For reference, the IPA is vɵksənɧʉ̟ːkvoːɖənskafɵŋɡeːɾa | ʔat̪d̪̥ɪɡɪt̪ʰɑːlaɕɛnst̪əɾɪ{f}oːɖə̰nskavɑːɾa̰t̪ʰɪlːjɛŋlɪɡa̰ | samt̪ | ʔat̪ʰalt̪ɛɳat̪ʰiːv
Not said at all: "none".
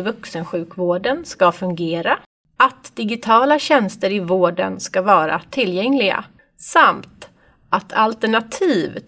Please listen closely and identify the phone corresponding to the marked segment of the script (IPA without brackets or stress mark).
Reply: v